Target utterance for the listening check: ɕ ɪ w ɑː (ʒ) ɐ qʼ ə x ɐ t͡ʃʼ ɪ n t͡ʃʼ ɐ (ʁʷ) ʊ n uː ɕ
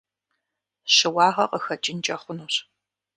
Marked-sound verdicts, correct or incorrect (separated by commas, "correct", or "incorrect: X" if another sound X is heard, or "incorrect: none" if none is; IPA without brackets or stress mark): incorrect: ʁ, incorrect: χʷ